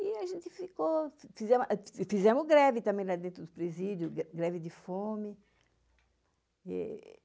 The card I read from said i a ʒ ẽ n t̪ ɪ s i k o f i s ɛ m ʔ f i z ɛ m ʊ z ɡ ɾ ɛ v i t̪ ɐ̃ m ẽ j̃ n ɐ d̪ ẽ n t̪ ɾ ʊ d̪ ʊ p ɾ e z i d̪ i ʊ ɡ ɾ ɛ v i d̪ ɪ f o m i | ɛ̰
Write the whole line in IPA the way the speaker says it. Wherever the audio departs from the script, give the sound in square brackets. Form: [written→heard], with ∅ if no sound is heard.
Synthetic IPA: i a ʒ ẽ n t̪ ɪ [s→f] i k o f i [s→z] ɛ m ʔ f i z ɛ m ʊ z ɡ ɾ ɛ v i t̪ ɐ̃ m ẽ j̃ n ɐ d̪ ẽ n t̪ ɾ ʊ d̪ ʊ p ɾ e z i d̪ [i→j] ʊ ɡ ɾ ɛ v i d̪ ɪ f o m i | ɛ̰